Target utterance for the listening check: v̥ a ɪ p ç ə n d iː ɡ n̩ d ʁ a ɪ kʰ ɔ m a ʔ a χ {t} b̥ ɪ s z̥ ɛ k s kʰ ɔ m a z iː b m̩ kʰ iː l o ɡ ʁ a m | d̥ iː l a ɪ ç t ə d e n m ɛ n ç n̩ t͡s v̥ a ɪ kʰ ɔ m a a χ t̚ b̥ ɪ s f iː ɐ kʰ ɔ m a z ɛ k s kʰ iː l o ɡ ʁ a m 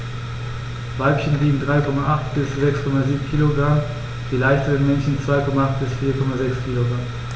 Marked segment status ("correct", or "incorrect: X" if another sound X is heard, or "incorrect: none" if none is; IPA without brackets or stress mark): correct